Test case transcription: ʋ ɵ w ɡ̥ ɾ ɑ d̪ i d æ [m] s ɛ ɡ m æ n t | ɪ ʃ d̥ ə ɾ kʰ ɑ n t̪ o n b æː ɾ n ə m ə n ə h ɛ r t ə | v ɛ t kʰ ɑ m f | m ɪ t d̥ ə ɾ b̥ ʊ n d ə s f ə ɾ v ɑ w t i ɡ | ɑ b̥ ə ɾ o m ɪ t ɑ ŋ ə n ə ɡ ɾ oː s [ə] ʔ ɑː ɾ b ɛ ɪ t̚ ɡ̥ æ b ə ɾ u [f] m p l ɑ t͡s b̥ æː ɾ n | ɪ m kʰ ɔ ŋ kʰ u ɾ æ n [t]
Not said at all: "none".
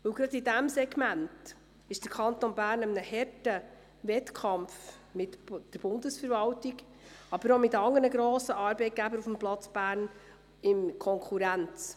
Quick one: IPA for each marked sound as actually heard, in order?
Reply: m, ə, f, t͡s

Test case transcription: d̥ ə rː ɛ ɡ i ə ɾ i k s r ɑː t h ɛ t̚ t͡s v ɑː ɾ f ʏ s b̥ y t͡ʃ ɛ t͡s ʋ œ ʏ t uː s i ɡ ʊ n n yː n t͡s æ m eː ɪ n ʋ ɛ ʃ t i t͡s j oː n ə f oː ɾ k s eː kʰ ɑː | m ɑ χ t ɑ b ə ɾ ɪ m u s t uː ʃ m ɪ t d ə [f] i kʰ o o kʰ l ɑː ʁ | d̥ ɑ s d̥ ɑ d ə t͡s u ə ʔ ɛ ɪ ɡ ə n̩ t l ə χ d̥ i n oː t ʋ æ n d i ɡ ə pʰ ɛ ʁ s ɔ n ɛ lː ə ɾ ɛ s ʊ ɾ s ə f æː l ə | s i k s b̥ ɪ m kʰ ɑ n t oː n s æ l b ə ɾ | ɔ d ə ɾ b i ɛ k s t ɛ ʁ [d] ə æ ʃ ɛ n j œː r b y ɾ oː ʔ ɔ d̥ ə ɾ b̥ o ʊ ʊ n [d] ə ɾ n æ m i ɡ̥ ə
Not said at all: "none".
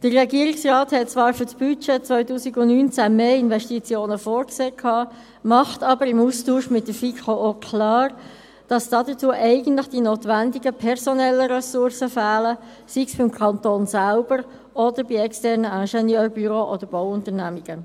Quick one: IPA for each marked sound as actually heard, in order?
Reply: f, n, t

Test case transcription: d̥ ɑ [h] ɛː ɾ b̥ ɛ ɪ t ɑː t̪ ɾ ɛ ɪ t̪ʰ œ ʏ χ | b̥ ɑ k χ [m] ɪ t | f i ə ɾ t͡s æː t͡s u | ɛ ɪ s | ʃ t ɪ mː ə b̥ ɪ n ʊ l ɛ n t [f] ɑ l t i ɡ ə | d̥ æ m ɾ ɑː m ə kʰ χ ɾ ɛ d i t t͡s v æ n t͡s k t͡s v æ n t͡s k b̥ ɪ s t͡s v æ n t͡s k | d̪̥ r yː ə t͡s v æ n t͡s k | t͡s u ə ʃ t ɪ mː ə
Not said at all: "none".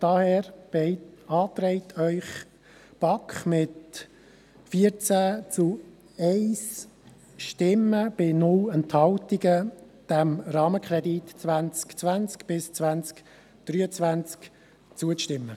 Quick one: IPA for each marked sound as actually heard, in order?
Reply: h, m, h

